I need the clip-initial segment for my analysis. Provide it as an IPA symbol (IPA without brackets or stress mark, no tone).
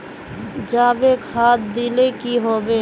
d͡ʒ